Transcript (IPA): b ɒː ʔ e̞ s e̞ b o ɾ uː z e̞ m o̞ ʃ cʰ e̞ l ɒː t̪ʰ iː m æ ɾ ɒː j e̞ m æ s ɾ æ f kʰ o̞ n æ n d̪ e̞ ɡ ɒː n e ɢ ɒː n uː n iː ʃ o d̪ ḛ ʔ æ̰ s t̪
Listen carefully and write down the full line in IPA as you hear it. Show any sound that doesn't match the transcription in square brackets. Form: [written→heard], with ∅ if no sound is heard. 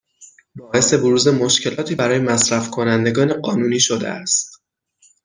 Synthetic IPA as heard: b ɒː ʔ e̞ s e̞ b o ɾ uː z e̞ m o̞ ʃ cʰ e̞ l ɒː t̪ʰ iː [m→b] æ ɾ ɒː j e̞ m æ s ɾ æ f kʰ o̞ n æ n d̪ e̞ ɡ ɒː n e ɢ ɒː n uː n iː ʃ o d̪ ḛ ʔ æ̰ s t̪

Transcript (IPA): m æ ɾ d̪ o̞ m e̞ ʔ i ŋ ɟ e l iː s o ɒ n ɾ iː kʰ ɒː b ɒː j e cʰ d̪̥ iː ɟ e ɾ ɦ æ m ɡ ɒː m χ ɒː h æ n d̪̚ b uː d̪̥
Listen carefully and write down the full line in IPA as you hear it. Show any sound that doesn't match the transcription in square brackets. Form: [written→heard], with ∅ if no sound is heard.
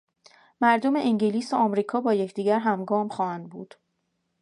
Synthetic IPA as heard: m æ ɾ d̪ o̞ m e̞ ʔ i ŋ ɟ e l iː s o ɒ [n→m] ɾ iː kʰ ɒː b ɒː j e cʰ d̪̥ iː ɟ [e→æ] ɾ ɦ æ m ɡ ɒː m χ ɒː h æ n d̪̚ b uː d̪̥

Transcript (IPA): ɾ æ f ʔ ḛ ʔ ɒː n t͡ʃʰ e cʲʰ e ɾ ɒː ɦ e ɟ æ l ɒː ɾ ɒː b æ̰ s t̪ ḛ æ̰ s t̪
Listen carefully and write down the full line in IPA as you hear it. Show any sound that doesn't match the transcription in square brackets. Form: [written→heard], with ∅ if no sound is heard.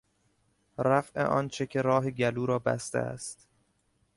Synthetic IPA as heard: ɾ æ f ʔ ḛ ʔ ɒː n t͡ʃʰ e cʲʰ e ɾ ɒː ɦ e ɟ æ l [ɒː→uː] ɾ ɒː b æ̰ s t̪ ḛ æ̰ s t̪

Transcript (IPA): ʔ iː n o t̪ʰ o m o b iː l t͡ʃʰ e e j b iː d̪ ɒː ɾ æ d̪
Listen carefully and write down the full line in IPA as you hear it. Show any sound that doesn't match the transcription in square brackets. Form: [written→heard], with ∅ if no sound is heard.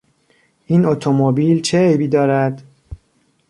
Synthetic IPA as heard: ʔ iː n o t̪ʰ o m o b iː l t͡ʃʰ e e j b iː d̪ ɒː ɾ æ d̪

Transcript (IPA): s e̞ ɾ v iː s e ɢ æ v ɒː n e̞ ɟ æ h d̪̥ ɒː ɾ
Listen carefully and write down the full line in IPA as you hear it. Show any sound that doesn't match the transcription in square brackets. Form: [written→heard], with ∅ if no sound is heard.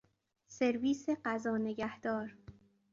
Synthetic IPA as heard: s e̞ ɾ v iː s e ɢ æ [v→z] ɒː n e̞ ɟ æ h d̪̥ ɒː ɾ

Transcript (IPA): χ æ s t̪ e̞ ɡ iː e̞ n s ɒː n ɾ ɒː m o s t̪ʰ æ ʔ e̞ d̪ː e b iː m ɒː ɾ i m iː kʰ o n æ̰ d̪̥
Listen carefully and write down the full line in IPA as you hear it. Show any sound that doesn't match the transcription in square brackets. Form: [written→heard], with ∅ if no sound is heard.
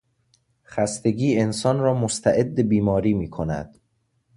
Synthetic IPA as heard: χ æ s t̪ e̞ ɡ iː e̞ n s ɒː n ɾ ɒː m o s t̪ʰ æ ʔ e̞ d̪ː e b iː m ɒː ɾ [i→iː] m iː kʰ o n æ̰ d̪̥

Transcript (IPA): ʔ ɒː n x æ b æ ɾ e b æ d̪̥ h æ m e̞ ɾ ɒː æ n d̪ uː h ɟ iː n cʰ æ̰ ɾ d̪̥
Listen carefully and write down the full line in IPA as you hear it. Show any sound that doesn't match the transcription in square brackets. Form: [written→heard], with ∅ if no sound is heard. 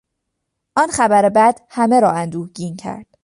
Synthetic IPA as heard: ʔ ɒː n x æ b æ ɾ e b æ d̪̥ h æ m e̞ ɾ ɒː æ n d̪ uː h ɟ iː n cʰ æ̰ ɾ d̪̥

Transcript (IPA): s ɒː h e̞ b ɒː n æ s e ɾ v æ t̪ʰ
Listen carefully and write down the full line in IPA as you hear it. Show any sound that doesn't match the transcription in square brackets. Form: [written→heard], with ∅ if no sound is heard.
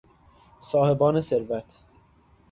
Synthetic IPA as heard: s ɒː h e̞ b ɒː n [æ→e] s e ɾ v æ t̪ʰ

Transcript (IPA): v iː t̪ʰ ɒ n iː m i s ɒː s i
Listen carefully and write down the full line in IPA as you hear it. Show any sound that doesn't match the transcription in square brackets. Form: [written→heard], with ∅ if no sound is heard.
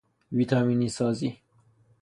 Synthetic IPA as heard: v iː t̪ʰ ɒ [n→m] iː [m→n] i s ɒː [s→z] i

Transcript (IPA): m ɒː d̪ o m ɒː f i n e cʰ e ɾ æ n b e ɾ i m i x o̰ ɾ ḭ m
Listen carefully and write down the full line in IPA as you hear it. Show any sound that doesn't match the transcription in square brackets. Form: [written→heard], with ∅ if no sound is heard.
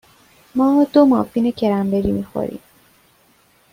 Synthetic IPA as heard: m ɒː d̪ o m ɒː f i n e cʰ e ɾ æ [n→m] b e ɾ i m i x o̰ ɾ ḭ m

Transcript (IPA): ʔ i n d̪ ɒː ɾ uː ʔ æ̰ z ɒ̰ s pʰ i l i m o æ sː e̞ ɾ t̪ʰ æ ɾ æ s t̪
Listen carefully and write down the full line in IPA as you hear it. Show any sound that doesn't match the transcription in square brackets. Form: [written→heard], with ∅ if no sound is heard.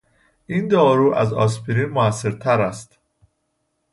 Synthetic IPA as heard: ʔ i n d̪ ɒː ɾ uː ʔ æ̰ z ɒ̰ s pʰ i [l→ɾ] i m o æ sː e̞ ɾ t̪ʰ æ ɾ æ s t̪

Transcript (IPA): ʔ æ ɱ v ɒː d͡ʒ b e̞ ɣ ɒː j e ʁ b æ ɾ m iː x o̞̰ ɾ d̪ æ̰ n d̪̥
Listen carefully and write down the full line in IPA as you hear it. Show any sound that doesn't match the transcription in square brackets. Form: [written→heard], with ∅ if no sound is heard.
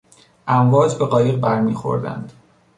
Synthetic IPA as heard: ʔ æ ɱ v ɒː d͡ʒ b e̞ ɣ ɒː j e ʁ b æ ɾ m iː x o̞̰ ɾ d̪ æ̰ n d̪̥

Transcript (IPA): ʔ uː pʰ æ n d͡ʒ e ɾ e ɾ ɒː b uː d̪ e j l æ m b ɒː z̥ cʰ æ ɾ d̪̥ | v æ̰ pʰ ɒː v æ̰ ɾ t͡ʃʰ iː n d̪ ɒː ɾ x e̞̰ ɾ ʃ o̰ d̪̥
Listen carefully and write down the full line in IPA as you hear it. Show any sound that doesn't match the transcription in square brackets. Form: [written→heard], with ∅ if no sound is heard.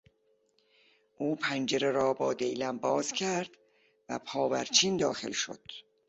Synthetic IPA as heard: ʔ uː pʰ æ n d͡ʒ e ɾ e ɾ ɒː b [uː→ɒː] d̪ e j l æ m b ɒː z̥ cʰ æ ɾ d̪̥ | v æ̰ pʰ ɒː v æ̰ ɾ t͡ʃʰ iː n d̪ ɒː [ɾ→∅] x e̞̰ [ɾ→l] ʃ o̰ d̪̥

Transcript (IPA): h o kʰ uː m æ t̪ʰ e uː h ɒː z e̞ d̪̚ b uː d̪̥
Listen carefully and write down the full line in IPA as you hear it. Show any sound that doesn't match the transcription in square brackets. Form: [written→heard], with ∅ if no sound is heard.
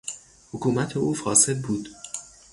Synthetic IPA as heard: h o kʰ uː m æ t̪ʰ e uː [h→f] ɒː [z→s] e̞ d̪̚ b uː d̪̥

